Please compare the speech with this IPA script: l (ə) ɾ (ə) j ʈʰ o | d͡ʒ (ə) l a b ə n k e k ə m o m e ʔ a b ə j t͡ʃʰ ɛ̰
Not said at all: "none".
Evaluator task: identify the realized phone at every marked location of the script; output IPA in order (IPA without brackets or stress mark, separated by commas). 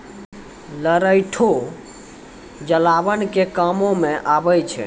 ə, ə, ə